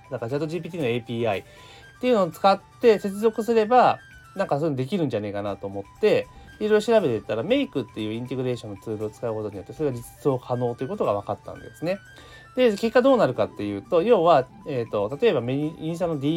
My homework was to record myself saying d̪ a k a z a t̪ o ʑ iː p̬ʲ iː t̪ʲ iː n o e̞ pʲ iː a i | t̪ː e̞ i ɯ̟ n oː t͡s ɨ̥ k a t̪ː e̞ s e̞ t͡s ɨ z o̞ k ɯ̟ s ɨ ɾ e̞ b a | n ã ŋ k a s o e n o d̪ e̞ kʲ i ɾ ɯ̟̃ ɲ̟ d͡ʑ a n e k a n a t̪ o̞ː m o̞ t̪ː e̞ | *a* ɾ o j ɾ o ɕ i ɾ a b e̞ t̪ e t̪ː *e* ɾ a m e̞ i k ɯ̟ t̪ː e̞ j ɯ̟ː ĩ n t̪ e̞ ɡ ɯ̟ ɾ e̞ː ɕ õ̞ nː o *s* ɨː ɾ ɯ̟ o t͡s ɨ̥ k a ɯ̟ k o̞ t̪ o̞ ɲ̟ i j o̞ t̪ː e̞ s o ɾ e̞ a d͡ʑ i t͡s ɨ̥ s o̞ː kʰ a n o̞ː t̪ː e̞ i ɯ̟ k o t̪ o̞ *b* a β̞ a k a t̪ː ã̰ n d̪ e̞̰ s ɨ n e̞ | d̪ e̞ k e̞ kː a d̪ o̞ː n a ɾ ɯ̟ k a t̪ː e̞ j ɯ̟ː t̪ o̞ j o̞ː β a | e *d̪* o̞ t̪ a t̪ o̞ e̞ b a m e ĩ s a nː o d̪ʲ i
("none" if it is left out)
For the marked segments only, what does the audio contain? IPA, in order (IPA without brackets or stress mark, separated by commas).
i, a, t͡s, ɡ, t̪